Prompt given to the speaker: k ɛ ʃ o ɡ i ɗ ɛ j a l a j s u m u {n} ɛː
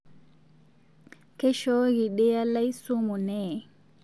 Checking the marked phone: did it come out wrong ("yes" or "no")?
no